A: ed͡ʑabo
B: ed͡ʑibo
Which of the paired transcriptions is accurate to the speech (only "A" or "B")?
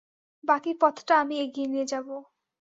A